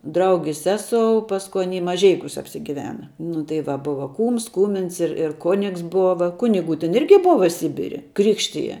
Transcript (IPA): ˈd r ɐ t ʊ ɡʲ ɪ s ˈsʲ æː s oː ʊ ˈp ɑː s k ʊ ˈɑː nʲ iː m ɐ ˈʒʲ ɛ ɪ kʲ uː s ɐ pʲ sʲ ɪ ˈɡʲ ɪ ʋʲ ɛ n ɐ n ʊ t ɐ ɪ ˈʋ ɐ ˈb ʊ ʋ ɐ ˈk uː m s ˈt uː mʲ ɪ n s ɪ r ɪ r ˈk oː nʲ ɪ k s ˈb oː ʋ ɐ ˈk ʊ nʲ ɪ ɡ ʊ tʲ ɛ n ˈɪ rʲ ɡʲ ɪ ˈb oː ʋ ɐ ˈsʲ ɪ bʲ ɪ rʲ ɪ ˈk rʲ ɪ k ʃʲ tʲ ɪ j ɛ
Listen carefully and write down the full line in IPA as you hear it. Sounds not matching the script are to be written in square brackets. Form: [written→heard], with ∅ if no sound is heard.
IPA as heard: ˈd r ɐ [t→∅] ʊ ɡʲ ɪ s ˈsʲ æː s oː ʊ ˈp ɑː s k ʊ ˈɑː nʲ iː m ɐ ˈʒʲ ɛ ɪ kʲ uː s ɐ pʲ sʲ ɪ ˈɡʲ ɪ ʋʲ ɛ n ɐ n ʊ t ɐ ɪ ˈʋ ɐ ˈb ʊ ʋ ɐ ˈk uː m s [ˈt→ˈk] uː mʲ ɪ n s ɪ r ɪ r ˈk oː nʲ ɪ k s ˈb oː ʋ ɐ ˈk ʊ nʲ ɪ ɡ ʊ tʲ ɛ n ˈɪ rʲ ɡʲ ɪ ˈb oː ʋ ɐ ˈsʲ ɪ bʲ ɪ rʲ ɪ ˈk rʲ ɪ k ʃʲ tʲ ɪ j ɛ